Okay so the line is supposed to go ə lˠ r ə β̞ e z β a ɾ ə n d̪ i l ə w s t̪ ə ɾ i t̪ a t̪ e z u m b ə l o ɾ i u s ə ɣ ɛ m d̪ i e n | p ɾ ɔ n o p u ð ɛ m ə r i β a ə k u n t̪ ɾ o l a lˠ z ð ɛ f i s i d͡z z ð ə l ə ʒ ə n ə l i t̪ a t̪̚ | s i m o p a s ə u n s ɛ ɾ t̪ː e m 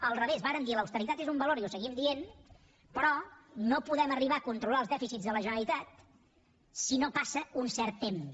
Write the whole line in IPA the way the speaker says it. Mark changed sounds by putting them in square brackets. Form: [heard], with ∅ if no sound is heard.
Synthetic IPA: ə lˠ r ə β̞ e z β a ɾ ə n d̪ i l ə w s t̪ ə ɾ i t̪ a t̪ e z u m b ə l o ɾ i u s ə ɣ [i] m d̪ i e n | p ɾ ɔ n o p u ð ɛ m ə r i β a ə k u n t̪ ɾ [u] l a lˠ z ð ɛ f i s i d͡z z ð ə l ə ʒ ə n ə l i t̪ a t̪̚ | s i [n] o p a s ə u n s ɛ ɾ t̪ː e m